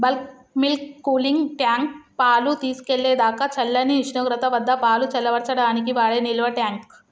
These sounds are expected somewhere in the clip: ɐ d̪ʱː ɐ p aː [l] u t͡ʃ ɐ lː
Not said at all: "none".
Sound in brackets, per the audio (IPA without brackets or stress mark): l